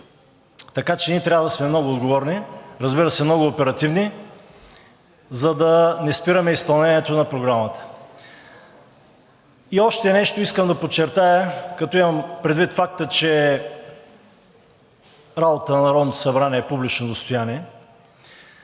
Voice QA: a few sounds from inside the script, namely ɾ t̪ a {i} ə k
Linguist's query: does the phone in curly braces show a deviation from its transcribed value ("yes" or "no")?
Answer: yes